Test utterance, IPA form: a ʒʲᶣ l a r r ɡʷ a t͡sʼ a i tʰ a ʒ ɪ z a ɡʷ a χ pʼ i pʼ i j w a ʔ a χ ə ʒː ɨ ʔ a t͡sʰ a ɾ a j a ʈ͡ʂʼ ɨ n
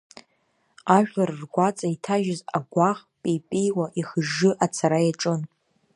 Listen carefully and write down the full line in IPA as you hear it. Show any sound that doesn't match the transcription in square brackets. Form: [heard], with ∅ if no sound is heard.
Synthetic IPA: a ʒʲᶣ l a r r ɡʷ a t͡sʼ a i tʰ a ʒ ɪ z a ɡʷ a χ pʼ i pʼ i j w a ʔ [i] χ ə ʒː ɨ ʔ a t͡sʰ a ɾ a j a ʈ͡ʂʼ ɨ n